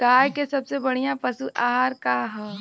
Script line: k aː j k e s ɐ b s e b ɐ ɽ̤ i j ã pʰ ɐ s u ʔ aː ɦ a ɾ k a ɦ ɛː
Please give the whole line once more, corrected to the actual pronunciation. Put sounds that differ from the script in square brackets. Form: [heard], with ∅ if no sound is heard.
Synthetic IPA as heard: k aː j k e s ɐ b s e b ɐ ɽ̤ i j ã [p] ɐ s u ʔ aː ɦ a ɾ k a ɦ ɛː